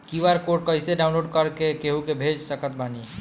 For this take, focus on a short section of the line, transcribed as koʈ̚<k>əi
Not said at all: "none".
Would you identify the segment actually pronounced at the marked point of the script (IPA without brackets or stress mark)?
k